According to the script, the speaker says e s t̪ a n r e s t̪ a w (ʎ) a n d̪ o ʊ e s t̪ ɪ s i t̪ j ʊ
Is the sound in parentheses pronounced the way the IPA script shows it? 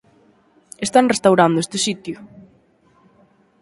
no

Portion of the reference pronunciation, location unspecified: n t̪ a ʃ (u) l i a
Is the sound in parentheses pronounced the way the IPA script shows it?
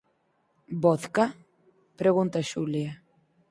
yes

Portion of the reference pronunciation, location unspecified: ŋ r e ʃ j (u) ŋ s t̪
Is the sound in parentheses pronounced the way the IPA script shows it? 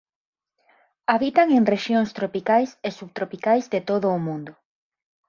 no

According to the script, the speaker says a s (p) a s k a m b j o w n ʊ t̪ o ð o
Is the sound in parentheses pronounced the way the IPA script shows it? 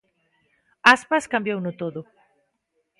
yes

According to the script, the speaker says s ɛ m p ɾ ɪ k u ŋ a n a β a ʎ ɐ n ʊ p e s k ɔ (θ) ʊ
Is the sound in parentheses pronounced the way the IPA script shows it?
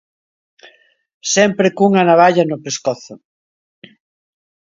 yes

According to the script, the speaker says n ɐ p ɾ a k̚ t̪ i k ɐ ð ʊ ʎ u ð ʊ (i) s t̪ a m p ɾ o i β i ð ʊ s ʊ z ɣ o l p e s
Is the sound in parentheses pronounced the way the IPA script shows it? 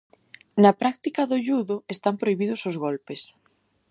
no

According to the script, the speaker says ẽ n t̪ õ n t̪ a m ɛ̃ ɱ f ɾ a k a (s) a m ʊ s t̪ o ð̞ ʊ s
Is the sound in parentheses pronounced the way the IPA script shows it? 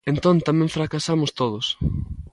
yes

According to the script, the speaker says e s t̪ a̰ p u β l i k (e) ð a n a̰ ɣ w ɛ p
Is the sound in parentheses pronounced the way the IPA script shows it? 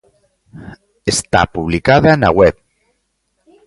no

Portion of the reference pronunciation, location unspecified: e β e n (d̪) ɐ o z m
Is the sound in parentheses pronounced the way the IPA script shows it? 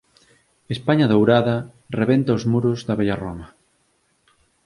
no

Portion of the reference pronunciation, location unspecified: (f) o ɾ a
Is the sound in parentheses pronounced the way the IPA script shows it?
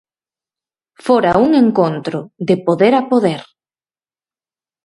yes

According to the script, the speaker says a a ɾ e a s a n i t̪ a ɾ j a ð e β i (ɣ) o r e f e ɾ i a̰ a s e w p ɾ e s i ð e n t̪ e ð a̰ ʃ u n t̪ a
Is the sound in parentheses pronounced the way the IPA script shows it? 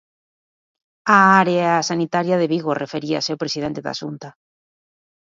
yes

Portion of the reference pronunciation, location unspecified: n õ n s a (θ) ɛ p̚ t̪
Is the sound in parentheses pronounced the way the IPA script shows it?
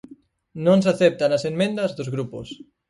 yes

